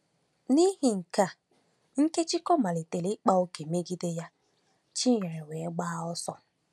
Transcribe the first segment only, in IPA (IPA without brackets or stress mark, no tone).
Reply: n